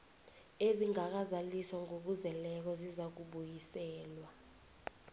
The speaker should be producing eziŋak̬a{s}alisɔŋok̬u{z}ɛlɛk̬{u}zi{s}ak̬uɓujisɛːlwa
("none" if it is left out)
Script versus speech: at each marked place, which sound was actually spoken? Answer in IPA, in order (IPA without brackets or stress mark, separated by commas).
z, z, ɔ, z